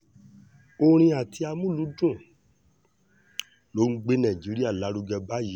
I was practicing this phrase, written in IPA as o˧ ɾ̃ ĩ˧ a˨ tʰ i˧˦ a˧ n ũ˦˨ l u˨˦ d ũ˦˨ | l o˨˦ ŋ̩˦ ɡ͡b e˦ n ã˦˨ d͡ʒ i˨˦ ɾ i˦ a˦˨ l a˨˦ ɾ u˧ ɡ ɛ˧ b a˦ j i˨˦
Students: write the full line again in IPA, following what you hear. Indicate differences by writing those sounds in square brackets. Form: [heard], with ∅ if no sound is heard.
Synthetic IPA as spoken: o˧ ɾ̃ ĩ˧ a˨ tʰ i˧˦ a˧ [m] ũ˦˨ l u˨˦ d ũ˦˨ | l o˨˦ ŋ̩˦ ɡ͡b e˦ n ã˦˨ d͡ʒ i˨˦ ɾ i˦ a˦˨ l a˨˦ ɾ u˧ ɡ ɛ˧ b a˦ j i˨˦